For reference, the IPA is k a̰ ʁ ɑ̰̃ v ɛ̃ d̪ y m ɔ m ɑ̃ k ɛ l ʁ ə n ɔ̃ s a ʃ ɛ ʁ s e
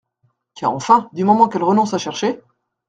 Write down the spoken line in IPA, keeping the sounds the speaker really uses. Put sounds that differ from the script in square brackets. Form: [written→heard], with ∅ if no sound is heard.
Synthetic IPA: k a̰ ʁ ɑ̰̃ [v→f] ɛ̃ d̪ y m ɔ m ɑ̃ k ɛ l ʁ ə n ɔ̃ s a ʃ ɛ ʁ [s→ʃ] e